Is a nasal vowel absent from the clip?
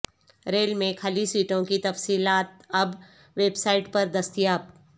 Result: no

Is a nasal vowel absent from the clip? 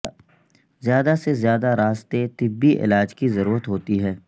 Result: yes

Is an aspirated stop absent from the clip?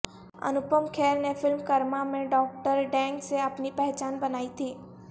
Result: no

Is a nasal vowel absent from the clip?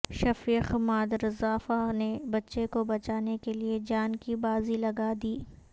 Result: yes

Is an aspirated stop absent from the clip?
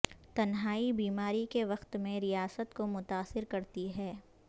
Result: yes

